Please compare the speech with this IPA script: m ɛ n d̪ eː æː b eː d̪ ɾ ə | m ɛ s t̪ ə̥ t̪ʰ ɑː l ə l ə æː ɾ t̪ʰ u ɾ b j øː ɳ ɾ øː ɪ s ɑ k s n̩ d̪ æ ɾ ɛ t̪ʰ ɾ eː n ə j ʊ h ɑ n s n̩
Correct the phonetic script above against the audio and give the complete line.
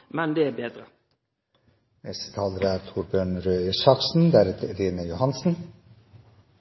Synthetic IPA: m ɛ n d̪ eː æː b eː d̪ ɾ ə | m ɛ s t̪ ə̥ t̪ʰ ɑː l ə ɾ ə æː ɾ t̪ʰ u ɾ b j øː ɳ ɾ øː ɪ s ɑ k s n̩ d̪ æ ɾ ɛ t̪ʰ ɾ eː n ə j ʊ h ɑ n s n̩